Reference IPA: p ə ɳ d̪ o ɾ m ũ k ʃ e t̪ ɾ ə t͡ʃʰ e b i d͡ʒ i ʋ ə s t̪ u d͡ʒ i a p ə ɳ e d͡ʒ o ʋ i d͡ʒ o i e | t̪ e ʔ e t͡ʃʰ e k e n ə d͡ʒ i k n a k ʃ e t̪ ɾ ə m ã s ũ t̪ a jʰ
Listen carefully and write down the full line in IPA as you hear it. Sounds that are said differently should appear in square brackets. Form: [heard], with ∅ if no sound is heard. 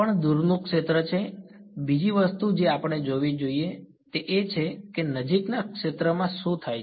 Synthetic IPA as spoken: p ə ɳ d̪ [u] ɾ [n] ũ k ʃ e t̪ ɾ ə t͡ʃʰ e b i d͡ʒ i ʋ ə s t̪ u d͡ʒ [e] a p ə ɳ e d͡ʒ o ʋ i d͡ʒ o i e | t̪ e ʔ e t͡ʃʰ e k e n ə d͡ʒ i k n a k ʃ e t̪ ɾ ə m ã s ũ [t̪ʰ] a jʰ